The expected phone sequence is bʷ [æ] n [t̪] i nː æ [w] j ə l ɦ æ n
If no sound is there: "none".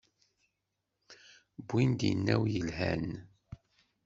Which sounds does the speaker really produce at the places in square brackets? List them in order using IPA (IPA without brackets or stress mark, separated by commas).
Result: i, d̪, w